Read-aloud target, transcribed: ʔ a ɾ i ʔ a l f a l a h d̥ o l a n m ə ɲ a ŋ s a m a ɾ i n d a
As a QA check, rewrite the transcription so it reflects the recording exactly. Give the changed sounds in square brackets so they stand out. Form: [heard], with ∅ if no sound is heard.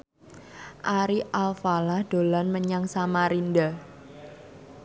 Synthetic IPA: ʔ a ɾ i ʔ a l f a l a h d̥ o l a n m ə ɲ a ŋ s a m a ɾ i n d a